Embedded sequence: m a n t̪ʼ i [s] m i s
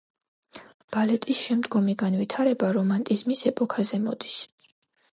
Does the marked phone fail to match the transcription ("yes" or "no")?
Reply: yes